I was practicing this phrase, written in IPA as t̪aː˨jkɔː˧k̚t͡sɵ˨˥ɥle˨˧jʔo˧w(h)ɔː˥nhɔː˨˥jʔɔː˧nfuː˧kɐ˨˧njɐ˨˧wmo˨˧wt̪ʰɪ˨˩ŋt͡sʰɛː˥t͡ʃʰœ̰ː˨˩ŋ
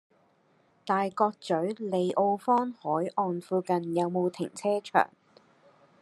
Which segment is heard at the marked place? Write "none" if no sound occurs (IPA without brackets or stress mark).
f